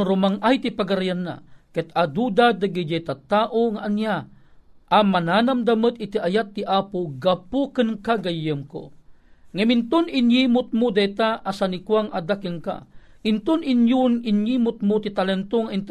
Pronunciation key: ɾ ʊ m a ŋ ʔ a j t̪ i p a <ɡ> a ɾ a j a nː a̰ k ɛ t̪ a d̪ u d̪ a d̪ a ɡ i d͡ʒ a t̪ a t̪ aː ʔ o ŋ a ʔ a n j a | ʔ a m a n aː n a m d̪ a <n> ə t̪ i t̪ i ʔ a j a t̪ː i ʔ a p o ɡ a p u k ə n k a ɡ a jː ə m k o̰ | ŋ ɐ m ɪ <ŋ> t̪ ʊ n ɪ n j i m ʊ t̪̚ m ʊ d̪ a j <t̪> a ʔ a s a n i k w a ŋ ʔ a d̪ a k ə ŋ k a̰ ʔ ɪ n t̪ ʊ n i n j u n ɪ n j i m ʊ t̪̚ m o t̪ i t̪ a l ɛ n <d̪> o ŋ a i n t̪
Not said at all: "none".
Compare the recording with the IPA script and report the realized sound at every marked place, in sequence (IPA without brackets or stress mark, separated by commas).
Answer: ɡ, m, n, t̪, t̪